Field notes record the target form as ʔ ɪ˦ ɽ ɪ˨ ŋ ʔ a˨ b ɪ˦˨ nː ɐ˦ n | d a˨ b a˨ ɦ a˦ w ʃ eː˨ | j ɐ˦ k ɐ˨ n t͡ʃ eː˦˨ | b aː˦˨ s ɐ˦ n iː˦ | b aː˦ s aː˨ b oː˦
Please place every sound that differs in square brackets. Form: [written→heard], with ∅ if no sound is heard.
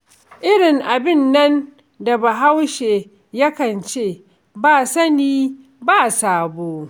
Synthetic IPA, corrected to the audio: ʔ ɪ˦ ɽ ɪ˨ ŋ ʔ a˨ b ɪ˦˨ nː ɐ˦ n | d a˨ b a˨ ɦ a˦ w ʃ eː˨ | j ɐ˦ k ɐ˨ n t͡ʃ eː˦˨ | b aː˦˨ s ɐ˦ n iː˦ | b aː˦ s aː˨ b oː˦